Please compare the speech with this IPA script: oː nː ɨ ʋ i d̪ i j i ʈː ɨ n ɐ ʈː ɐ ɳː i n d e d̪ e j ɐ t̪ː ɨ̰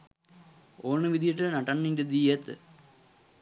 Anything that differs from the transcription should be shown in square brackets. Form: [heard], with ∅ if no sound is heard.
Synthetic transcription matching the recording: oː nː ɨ ʋ i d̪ i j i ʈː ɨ n ɐ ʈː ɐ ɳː i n d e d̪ [i] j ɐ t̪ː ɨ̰